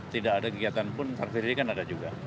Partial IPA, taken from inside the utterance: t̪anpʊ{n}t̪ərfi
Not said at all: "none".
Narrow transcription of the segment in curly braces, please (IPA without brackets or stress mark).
n